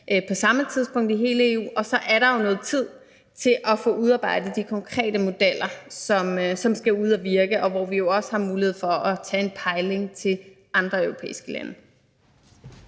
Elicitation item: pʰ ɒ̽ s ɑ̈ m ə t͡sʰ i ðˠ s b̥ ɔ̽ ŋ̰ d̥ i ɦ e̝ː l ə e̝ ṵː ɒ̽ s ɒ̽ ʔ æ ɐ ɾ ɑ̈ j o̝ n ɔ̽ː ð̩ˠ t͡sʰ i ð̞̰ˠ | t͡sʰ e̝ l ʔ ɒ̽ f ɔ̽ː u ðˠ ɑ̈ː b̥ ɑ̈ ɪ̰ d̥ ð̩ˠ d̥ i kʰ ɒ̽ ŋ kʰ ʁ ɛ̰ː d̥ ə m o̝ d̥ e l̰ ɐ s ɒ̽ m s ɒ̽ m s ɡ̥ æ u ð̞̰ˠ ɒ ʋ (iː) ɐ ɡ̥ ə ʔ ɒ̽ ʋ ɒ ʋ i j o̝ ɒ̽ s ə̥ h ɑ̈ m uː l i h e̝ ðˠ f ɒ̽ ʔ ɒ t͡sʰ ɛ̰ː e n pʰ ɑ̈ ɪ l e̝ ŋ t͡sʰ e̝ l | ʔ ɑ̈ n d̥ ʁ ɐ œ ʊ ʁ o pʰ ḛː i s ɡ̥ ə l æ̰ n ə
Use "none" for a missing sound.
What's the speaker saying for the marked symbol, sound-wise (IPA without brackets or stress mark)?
i